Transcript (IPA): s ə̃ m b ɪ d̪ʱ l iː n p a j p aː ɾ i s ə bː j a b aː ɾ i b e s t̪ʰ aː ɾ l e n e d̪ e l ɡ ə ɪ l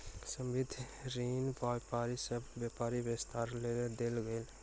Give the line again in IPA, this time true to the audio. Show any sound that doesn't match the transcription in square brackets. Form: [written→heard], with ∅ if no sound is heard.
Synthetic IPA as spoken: s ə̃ m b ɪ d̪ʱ [l→ɾ] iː n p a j p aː ɾ i s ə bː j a [b→p] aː ɾ i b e s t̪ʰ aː ɾ l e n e d̪ e l ɡ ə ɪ l